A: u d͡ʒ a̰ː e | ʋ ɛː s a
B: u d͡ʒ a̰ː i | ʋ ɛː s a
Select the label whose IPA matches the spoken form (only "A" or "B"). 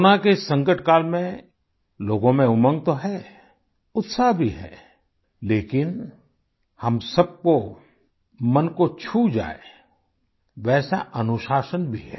A